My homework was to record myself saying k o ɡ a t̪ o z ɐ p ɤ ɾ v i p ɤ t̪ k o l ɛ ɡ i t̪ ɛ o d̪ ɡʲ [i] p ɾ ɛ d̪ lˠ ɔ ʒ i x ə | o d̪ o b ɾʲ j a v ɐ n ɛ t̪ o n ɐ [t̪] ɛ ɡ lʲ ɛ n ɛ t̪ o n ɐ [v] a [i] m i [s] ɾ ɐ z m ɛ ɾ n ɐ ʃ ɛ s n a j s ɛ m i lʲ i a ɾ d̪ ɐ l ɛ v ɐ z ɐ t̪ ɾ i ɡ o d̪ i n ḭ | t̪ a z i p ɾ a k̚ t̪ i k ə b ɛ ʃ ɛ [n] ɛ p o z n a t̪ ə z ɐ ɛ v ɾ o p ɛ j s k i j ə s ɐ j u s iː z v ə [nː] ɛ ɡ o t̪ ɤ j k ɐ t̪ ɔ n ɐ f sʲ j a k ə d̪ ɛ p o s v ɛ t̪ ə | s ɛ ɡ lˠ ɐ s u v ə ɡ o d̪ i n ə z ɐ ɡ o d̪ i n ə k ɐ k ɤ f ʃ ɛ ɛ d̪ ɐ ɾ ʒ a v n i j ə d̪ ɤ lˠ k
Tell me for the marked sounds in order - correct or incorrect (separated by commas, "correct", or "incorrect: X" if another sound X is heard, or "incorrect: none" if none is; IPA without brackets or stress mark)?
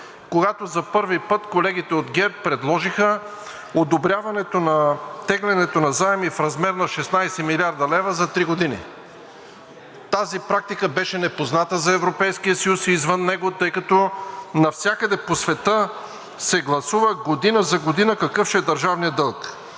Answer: incorrect: ɛ, correct, incorrect: z, incorrect: ɛ, incorrect: f, correct, correct